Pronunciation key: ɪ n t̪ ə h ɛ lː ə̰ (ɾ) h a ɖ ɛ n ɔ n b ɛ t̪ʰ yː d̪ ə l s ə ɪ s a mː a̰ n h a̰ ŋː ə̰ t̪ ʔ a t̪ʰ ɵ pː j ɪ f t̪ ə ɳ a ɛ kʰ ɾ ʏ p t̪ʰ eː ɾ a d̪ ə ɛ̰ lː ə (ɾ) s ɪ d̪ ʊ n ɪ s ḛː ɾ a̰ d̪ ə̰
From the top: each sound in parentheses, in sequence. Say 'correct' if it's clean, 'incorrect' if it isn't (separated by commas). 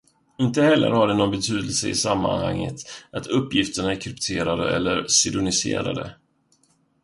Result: correct, correct